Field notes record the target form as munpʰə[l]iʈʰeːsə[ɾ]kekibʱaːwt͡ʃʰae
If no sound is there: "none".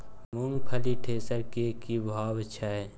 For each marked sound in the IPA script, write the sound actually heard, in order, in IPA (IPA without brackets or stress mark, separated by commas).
l, ɾ